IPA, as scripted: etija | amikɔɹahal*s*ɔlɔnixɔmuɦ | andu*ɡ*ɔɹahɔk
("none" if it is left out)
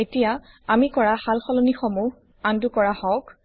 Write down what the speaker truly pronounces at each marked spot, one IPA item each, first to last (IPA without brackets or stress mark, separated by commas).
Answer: x, k